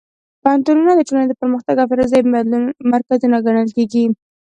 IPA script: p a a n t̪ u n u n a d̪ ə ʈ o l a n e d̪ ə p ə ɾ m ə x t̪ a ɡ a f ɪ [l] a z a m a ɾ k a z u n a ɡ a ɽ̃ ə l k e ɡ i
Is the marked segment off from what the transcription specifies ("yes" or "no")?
yes